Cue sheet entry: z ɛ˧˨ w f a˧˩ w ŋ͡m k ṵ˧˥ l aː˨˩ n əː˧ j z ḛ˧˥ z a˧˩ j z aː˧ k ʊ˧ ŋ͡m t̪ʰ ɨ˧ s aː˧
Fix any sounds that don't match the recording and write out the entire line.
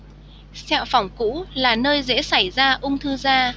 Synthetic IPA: s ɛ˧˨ w f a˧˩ w ŋ͡m k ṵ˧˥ l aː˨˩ n əː˧ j z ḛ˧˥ s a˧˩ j z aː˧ ʔ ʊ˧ ŋ͡m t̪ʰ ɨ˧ z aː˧